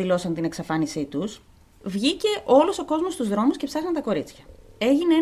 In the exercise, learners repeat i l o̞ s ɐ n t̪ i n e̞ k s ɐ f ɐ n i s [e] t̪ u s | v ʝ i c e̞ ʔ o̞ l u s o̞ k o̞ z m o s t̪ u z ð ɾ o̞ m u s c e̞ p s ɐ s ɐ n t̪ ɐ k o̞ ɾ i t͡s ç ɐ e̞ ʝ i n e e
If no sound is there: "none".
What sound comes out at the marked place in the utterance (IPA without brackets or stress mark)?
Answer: i